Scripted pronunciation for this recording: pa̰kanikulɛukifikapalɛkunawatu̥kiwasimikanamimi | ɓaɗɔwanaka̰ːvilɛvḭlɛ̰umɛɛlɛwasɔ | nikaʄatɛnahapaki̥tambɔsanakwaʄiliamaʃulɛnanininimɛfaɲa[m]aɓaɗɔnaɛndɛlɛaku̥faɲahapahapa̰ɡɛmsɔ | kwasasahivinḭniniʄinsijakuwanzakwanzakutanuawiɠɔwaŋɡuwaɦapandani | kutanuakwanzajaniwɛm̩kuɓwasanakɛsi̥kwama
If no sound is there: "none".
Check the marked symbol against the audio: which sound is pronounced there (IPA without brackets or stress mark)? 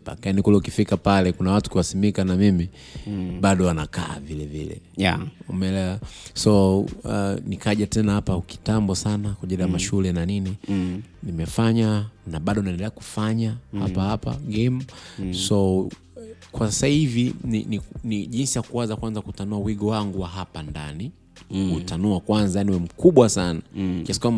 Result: n